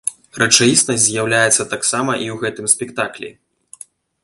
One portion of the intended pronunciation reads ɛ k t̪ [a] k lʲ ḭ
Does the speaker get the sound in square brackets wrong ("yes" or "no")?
no